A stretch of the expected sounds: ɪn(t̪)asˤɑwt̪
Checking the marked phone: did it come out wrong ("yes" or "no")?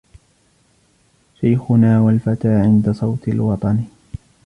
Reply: yes